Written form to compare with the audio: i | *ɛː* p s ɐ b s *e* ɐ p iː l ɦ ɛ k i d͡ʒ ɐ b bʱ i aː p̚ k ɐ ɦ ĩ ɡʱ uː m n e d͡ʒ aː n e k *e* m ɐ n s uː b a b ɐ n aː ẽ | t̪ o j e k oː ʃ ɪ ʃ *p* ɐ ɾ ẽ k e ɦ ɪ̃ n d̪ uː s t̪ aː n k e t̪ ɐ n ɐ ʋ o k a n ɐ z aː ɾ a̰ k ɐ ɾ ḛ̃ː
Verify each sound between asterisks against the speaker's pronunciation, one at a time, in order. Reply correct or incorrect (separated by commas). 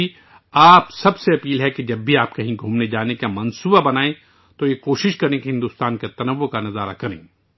incorrect, correct, incorrect, incorrect